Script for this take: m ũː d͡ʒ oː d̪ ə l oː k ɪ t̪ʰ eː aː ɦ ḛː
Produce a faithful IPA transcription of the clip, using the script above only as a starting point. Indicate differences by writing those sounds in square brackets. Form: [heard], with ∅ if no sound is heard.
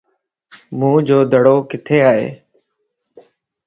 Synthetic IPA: m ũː d͡ʒ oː d̪ ə [ɽ] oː k ɪ t̪ʰ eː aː ɦ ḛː